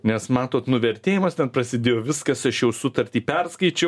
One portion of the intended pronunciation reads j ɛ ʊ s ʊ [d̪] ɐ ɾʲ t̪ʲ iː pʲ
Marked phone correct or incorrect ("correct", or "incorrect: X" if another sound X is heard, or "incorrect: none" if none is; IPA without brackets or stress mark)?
incorrect: t̪